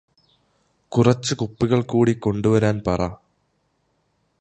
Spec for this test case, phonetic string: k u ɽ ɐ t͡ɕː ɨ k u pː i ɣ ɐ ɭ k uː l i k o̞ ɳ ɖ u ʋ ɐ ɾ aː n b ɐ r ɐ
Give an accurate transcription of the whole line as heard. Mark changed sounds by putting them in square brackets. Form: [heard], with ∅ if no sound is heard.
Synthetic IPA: k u [r] ɐ t͡ɕː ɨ k u pː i ɣ ɐ ɭ k uː [ɽ] i k o̞ ɳ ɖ u ʋ ɐ ɾ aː n [p] ɐ r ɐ